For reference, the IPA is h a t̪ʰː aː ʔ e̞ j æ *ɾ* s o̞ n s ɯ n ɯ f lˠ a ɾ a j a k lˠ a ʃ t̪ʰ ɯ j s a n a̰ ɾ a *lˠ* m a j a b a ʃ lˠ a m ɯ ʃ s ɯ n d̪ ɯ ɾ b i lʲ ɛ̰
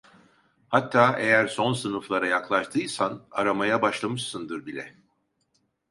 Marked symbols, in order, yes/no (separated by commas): yes, no